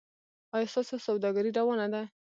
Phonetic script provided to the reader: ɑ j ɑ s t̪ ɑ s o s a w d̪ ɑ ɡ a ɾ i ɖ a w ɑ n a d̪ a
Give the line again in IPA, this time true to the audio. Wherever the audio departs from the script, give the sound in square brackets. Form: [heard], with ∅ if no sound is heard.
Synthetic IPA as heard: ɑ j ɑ s t̪ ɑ s o s a w d̪ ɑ ɡ a ɾ i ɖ a w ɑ n a d̪ a